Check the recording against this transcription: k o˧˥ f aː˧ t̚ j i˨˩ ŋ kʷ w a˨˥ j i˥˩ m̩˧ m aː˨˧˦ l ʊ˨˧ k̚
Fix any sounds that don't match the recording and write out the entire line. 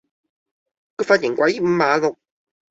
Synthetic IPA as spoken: k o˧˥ f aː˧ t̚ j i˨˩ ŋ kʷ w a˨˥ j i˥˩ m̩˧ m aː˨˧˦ l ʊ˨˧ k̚